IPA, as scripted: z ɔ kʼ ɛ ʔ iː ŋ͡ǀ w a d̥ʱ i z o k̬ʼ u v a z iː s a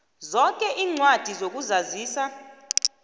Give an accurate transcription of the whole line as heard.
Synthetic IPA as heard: z ɔ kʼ ɛ ʔ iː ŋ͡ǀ w a d̥ʱ i z o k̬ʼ u z a z iː s a

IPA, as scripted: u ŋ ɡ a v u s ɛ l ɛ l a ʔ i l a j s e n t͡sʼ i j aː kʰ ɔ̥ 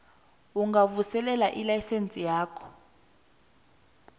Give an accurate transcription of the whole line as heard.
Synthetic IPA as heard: u ŋ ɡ a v u s ɛ l ɛ l a ʔ i l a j s e n t͡sʼ i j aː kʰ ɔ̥

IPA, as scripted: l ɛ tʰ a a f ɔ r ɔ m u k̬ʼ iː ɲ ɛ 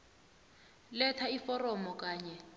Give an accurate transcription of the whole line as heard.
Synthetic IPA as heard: l ɛ tʰ a i f ɔ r ɔ m ɔ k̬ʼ aː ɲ ɛ

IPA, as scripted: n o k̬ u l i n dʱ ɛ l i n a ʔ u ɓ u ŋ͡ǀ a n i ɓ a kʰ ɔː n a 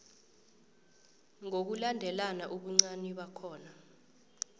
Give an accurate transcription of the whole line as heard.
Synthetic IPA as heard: ŋ o k̬ u l a n dʱ ɛ l a n a ʔ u ɓ u ŋ͡ǀ a n i ɓ a kʰ ɔː n a

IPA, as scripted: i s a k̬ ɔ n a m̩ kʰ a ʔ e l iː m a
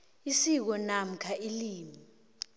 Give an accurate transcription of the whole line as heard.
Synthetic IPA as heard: i s i k̬ ɔ n a m̩ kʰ a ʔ i l iː m i

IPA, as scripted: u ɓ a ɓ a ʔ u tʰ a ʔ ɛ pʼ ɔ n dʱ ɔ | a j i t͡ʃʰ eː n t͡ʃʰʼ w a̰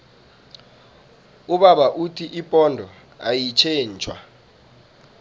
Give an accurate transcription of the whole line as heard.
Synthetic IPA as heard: u ɓ a ɓ a ʔ u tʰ i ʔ i pʼ ɔ n dʱ ɔ | a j i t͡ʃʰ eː n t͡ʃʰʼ w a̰

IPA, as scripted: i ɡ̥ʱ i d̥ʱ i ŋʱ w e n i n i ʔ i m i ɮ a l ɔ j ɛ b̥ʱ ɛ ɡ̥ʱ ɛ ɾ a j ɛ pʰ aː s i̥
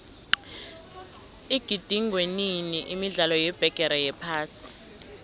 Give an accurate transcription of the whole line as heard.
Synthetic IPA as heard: i ɡ̥ʱ i d̥ʱ i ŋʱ w e n i n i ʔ i m i ɮ a l ɔ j ɛ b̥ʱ ɛ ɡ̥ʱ ɛ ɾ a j ɛ pʰ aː s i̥

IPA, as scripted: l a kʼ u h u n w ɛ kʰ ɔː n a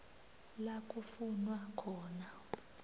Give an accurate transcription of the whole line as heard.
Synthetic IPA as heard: l a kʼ u f u n w a kʰ ɔː n a

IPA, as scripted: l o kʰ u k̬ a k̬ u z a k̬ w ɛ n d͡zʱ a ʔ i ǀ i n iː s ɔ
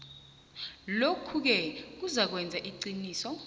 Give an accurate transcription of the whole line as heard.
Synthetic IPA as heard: l o kʰ u k̬ ɛ k̬ u z a k̬ w ɛ n d͡zʱ a ʔ i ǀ i n iː s ɔ

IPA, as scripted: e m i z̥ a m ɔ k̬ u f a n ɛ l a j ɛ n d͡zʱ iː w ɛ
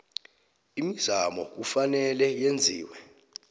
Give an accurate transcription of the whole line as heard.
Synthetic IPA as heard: i m i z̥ a m ɔ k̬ u f a n ɛ l ɛ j e n d͡zʱ iː w ɛ

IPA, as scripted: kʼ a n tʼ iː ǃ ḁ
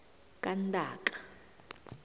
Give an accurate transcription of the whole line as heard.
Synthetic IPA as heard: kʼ a n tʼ aː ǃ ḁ

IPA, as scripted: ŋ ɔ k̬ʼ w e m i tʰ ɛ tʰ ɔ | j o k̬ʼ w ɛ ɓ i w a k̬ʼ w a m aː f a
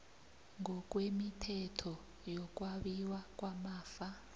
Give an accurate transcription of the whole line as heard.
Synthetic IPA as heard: ŋ ɔ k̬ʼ w e m i tʰ ɛ tʰ ɔ | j ɔ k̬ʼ w a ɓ i w a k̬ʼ w a m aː f a

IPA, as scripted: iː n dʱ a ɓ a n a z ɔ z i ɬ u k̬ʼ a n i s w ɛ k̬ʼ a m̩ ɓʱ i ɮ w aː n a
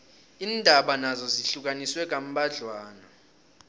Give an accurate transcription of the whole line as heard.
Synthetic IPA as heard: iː n dʱ a ɓ a n a z ɔ z i ɬ u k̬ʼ a n i s w ɛ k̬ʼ a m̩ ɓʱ a ɮ w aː n a

